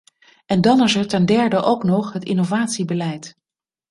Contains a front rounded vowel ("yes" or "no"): no